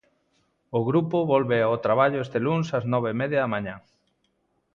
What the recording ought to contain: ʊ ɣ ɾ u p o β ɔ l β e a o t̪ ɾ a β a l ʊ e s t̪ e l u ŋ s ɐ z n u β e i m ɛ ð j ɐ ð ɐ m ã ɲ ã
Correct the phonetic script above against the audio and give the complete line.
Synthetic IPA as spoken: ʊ ɣ ɾ u p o β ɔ l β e a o t̪ ɾ a β a ʎ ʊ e s t̪ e l u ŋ s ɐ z n ɔ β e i m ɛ ð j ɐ ð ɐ m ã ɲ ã